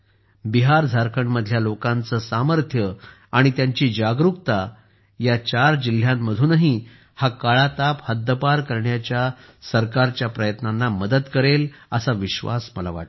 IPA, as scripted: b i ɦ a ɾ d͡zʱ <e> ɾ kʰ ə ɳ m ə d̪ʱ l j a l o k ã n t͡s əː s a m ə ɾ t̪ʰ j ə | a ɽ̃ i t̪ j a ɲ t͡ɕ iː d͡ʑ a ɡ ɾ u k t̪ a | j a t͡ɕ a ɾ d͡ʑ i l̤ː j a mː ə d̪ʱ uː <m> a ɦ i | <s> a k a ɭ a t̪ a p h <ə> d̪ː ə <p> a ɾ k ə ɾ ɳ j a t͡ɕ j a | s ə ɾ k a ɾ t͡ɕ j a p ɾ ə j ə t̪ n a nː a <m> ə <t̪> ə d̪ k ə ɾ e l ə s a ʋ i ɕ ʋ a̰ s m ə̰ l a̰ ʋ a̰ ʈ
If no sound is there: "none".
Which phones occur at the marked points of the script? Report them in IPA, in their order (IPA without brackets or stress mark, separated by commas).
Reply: a, n, h, ə, p, m, d̪